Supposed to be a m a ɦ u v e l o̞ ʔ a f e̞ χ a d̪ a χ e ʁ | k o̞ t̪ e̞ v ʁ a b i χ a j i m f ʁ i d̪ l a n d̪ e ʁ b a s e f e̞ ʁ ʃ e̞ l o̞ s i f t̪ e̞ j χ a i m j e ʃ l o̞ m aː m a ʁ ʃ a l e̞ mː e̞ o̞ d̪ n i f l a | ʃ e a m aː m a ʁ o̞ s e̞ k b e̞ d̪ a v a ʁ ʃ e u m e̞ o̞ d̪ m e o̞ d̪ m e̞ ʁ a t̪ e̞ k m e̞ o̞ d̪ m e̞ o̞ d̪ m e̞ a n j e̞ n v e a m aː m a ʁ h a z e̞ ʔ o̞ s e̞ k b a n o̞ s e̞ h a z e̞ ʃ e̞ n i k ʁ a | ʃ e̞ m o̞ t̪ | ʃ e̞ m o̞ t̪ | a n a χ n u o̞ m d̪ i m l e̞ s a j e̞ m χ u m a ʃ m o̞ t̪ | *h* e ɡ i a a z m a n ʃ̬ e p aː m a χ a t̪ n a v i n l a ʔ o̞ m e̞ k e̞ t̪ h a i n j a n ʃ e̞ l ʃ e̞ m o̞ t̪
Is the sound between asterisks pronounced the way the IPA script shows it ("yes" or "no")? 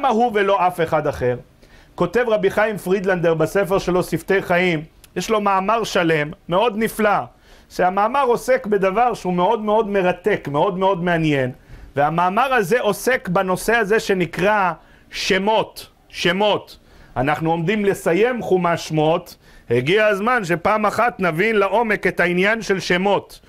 yes